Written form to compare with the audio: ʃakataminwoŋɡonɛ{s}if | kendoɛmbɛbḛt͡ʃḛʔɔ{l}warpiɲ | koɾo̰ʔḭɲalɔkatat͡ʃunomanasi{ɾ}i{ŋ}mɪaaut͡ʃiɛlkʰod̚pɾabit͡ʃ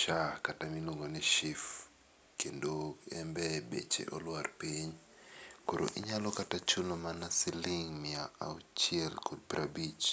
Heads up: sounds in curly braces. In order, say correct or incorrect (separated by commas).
incorrect, correct, incorrect, correct